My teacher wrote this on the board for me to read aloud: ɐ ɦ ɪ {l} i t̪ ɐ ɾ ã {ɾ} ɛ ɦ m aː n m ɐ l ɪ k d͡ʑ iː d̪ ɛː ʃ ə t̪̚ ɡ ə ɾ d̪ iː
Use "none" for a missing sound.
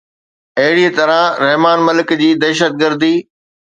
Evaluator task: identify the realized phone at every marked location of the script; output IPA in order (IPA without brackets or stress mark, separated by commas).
ɽ, ɾ